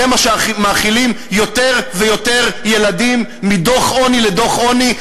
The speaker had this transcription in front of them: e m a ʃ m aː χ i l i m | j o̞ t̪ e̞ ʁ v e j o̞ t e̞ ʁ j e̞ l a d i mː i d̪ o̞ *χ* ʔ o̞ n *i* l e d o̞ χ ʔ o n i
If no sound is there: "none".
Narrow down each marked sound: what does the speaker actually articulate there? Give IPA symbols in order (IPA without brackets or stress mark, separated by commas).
χ, i